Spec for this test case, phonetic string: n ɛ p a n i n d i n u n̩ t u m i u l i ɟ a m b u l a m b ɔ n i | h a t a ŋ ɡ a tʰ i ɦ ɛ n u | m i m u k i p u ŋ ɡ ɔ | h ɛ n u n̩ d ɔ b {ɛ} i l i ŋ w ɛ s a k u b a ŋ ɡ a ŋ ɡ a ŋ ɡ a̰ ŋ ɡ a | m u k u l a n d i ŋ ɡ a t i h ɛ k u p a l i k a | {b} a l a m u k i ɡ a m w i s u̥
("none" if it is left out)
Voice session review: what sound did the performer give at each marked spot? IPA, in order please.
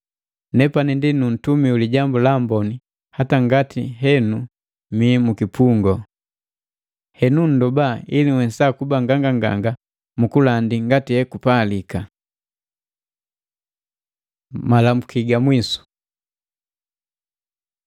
a, m

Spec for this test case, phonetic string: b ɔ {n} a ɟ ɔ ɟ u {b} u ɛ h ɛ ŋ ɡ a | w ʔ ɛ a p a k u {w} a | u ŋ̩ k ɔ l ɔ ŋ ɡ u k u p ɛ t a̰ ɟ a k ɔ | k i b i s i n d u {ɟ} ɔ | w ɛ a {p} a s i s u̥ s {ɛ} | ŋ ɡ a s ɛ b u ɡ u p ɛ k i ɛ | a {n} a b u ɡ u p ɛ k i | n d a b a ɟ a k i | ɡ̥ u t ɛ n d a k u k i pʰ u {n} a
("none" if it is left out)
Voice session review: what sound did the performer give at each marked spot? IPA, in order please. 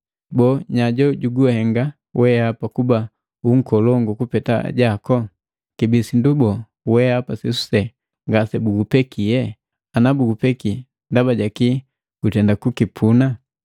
ɲ, ɡ, b, b, p, ɛ, n, n

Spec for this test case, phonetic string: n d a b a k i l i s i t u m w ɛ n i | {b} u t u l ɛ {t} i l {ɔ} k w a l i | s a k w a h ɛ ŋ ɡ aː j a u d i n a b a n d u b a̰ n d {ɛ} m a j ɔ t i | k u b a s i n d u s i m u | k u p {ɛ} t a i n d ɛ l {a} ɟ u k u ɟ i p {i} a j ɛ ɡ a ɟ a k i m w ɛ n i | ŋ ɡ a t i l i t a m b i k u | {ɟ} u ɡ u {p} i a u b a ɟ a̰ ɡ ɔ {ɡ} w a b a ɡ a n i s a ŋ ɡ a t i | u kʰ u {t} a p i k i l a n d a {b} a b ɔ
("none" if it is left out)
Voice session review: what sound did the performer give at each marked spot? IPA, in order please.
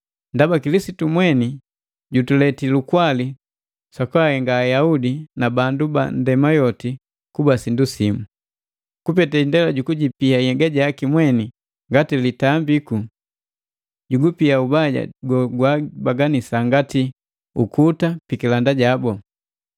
ɟ, t, u, ɛ, ɛ, a, i, ɟ, p, ɡ, t, ɟ

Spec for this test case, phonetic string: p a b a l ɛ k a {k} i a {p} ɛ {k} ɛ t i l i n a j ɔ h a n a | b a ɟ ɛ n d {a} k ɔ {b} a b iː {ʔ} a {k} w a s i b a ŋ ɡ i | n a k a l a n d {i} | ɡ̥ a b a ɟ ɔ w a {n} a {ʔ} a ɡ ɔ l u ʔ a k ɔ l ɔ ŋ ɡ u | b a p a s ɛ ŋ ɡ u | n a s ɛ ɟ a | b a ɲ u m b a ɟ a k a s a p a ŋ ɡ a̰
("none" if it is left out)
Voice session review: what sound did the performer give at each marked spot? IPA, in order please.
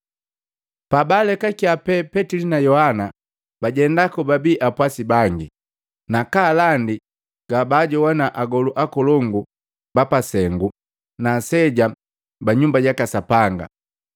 k, p, p, a, b, ʔ, p, i, n, ʔ

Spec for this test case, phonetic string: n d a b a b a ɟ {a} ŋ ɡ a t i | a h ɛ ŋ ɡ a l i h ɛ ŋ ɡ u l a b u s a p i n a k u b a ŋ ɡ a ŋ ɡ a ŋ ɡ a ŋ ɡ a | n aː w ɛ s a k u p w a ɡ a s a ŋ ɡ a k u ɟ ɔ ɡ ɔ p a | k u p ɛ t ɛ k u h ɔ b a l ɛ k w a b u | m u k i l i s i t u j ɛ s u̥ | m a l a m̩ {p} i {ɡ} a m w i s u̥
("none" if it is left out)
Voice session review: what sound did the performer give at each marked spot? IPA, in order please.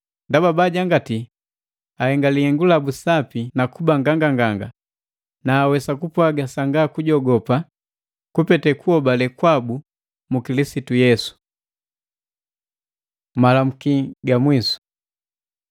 a, k, ɡ

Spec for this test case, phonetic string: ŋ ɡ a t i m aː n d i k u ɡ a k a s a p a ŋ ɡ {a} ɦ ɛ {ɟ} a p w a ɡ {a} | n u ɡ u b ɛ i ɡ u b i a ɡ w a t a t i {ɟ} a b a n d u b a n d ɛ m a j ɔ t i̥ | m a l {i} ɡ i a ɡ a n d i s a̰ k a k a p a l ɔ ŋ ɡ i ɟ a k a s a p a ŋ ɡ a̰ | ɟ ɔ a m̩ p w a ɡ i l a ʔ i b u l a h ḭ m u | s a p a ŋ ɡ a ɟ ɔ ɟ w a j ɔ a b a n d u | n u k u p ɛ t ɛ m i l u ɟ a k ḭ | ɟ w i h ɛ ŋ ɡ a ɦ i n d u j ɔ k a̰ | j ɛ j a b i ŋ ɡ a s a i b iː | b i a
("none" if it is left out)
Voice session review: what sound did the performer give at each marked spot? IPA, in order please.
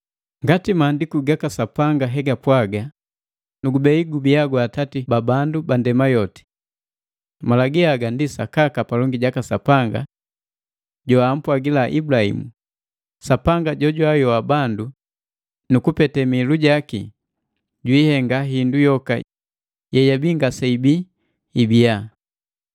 a, ɡ, a, b, a

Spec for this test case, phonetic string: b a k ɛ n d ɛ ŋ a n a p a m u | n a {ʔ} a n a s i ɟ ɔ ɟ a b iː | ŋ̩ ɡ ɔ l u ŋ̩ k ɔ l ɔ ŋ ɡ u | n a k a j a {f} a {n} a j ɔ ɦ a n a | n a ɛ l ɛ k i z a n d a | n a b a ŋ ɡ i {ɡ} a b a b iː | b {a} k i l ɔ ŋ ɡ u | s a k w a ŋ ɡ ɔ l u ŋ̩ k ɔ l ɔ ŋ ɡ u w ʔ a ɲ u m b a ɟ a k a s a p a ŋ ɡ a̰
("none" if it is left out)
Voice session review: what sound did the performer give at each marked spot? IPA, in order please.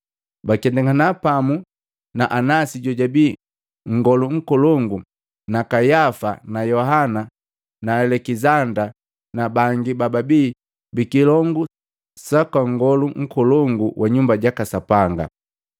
ʔ, f, n, b, i

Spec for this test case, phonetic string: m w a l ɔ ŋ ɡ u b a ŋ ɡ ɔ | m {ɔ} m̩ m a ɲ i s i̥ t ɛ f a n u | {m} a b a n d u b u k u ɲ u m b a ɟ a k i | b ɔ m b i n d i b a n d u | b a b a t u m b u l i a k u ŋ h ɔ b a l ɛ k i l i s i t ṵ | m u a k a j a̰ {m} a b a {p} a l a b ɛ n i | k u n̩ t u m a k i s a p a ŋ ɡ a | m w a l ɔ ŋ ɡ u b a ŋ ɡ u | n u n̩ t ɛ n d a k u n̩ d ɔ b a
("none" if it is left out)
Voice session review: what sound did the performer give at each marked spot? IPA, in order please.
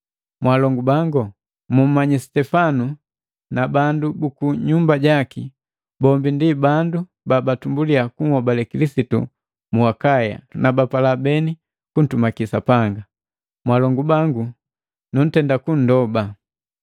u, n, n, p

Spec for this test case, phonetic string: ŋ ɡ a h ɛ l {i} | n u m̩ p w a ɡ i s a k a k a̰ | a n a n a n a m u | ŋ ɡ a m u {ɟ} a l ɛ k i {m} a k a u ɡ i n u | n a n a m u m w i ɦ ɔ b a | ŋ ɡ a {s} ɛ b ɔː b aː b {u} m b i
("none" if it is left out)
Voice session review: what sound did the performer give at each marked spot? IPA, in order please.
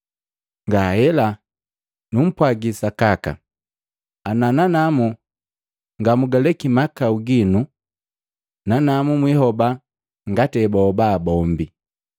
a, ɡ, m, t, ɔ

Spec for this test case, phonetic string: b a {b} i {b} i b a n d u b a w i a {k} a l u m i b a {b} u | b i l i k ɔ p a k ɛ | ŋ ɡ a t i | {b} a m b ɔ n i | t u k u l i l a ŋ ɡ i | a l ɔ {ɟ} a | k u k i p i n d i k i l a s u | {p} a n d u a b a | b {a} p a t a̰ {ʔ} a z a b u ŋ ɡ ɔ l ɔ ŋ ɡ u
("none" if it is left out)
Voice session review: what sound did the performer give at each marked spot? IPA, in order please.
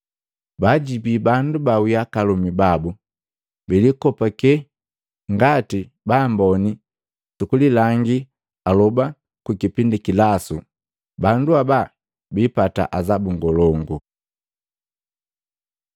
ɟ, b, k, b, b, b, b, i, ʔ

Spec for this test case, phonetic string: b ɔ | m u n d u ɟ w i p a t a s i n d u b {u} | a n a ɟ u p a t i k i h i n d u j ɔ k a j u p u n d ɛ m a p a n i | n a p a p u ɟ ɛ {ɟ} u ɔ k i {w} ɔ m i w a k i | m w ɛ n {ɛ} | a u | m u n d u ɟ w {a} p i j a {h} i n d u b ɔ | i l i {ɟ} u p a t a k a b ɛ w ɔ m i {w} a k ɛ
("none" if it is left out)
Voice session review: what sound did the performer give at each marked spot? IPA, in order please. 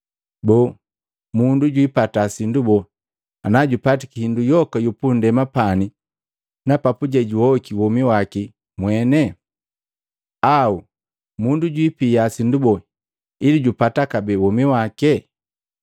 ɔ, ɟ, w, ɛ, i, s, ɟ, w

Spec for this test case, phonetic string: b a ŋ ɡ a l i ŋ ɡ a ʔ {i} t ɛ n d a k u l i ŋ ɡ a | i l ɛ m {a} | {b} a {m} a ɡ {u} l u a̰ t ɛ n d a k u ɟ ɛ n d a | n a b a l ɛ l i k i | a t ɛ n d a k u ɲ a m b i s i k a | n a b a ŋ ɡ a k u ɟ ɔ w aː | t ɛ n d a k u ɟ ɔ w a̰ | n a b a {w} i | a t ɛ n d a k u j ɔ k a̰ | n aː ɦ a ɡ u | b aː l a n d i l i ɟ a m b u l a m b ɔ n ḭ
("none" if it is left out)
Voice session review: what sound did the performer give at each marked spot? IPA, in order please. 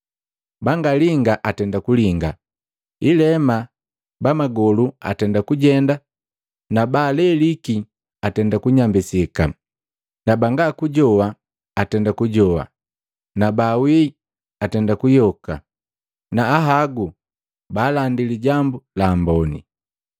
a, a, b, m, ɔ, w

